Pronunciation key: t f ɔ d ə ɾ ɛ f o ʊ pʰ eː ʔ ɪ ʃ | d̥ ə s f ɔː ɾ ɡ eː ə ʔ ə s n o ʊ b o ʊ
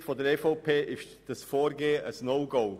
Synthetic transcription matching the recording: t f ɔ d ə ɾ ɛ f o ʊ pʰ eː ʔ ɪ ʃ | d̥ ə s f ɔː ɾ ɡ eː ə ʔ ə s n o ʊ ɡ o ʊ